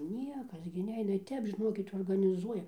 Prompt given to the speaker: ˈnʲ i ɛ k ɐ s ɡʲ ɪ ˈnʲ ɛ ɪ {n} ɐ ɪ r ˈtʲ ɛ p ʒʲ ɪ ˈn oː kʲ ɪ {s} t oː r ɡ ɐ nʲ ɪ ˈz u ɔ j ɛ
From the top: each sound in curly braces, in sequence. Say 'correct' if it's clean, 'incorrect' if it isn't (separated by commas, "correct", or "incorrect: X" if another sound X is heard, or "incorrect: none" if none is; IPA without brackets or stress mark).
correct, incorrect: none